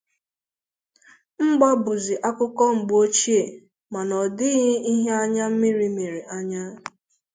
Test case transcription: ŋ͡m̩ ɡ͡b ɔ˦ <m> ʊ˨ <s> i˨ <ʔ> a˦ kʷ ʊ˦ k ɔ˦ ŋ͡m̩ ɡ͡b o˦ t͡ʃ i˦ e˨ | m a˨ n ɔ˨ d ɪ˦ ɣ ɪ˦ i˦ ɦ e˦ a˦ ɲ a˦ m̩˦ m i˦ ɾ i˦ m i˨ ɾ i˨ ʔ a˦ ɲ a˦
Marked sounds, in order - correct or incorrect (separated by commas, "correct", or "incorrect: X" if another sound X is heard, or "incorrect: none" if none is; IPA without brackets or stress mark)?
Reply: incorrect: b, incorrect: z, correct